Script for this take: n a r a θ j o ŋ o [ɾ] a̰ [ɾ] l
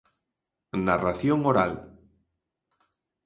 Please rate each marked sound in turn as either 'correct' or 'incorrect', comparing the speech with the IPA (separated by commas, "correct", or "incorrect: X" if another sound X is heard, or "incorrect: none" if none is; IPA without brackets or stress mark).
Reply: correct, incorrect: none